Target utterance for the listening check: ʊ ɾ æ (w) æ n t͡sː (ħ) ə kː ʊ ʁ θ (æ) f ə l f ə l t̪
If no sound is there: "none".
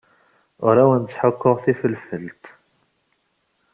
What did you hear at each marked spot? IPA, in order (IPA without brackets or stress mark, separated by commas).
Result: w, ħ, i